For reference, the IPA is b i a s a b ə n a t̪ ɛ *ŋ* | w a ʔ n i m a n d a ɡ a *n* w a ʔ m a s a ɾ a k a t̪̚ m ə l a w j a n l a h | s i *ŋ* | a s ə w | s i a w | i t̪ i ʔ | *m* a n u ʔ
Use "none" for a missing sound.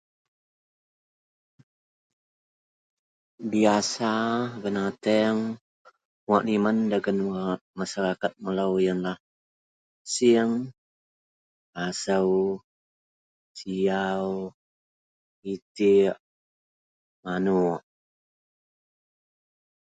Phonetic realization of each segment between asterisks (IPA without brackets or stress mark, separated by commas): ŋ, n, ŋ, m